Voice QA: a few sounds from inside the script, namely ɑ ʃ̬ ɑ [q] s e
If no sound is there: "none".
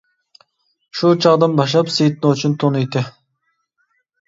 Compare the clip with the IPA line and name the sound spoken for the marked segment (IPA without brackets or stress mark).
p